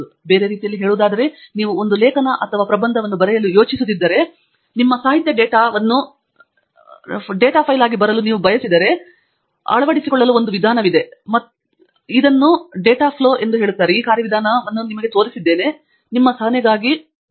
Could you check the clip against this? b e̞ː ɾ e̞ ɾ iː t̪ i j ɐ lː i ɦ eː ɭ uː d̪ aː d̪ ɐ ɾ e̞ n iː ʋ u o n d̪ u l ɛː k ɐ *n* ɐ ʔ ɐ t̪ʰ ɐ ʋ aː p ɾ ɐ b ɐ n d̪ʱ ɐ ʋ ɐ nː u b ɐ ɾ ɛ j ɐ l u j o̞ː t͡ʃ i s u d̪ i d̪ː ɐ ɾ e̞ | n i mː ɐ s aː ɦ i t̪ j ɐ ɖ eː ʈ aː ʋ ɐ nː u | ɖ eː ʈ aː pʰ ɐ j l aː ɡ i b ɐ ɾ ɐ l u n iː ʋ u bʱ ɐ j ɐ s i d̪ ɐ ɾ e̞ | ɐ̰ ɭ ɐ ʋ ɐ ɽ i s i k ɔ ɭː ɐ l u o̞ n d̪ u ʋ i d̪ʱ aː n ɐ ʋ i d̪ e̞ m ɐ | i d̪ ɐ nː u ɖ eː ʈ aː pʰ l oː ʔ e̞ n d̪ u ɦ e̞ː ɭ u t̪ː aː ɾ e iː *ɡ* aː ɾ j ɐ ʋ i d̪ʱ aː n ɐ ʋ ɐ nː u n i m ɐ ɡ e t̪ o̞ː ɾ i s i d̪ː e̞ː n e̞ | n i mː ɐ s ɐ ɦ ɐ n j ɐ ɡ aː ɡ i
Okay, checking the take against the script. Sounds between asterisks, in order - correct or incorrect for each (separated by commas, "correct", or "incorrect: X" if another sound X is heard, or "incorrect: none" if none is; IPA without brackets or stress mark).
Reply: correct, incorrect: k